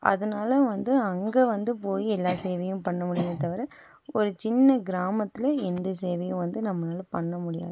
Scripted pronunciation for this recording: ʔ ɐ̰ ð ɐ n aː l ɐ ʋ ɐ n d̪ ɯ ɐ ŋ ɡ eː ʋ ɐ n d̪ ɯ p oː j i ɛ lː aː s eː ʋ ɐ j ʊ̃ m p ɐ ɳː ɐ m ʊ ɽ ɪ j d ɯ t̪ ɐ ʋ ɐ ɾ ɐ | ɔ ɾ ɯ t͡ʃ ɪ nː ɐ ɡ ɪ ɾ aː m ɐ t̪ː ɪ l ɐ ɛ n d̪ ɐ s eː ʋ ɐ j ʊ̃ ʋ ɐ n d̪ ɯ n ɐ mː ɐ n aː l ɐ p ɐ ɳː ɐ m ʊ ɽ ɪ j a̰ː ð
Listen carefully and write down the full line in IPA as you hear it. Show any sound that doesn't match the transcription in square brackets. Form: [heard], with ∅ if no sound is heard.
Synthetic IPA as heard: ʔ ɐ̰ ð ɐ n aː l ɐ ʋ ɐ n d̪ ɯ ɐ ŋ ɡ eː ʋ ɐ n d̪ ɯ p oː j i ɛ lː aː s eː ʋ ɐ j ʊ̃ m p ɐ ɳː ɐ m ʊ ɽ ɪ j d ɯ t̪ ɐ ʋ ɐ ɾ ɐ | ɔ ɾ ɯ t͡ʃ ɪ nː ɐ ɡ ɪ ɾ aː m ɐ t̪ː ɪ l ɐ ɛ n d̪ ɐ s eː ʋ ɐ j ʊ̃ ʋ ɐ n d̪ ɯ n ɐ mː ɐ n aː l ɐ p ɐ ɳː ɐ m ʊ ɽ ɪ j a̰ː ð